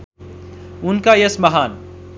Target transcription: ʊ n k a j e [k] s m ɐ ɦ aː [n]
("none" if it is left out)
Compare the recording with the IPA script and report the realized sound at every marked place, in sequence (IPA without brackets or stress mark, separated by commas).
none, n